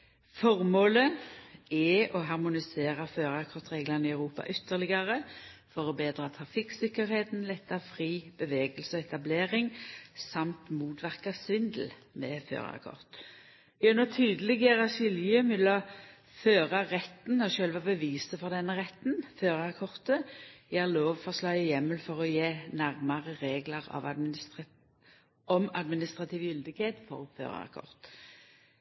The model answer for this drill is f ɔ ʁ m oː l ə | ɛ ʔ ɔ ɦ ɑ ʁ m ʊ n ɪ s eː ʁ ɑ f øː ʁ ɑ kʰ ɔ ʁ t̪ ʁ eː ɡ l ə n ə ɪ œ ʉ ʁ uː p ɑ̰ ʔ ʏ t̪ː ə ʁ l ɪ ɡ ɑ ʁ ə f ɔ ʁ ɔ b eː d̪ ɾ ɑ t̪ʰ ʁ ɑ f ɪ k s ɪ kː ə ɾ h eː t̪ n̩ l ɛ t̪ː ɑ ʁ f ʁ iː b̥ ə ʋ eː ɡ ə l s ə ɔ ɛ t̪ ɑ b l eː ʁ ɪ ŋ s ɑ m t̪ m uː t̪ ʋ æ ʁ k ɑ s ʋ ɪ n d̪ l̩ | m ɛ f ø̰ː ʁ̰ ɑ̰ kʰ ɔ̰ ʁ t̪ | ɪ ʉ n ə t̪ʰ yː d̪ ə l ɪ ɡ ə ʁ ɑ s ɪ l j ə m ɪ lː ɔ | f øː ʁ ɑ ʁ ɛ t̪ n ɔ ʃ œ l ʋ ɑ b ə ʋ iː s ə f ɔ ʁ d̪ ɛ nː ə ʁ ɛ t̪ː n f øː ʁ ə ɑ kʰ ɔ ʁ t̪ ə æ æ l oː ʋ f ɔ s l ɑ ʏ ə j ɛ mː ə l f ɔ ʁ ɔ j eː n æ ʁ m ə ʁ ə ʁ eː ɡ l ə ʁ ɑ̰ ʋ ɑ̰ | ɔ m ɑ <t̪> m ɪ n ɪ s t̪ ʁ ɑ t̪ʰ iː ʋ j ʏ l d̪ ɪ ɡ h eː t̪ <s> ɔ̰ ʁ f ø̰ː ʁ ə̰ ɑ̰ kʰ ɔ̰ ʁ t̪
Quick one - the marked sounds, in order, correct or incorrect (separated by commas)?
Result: incorrect, incorrect